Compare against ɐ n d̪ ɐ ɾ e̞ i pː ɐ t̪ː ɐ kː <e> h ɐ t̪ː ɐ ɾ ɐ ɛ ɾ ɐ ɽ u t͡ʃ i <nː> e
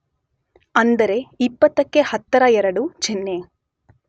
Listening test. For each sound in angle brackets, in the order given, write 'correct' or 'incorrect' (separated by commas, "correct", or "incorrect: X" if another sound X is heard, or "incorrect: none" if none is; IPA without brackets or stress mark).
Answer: correct, correct